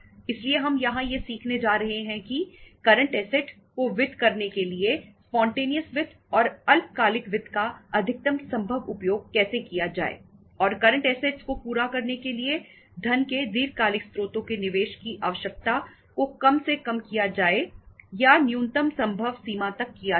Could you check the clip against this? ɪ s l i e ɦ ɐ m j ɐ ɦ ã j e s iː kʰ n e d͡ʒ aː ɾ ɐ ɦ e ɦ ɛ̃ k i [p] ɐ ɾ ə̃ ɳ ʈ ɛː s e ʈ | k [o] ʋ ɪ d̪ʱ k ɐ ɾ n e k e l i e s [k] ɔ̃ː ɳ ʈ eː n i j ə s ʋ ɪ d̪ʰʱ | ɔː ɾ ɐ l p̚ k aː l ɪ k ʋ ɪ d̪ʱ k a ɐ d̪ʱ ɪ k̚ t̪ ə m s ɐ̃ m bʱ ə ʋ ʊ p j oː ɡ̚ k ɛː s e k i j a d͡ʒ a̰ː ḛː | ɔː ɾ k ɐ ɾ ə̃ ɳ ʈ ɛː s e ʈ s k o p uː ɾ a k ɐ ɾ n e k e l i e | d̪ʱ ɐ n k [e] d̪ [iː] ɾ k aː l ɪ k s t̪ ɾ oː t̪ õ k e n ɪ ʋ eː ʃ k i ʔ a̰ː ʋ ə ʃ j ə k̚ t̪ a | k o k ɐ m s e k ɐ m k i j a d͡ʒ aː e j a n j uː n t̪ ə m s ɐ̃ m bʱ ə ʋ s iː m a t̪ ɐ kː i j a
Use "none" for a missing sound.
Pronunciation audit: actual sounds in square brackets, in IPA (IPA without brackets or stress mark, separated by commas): k, o, p, e, iː